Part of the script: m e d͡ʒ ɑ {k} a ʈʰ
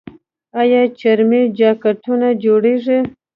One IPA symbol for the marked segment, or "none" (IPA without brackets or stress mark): k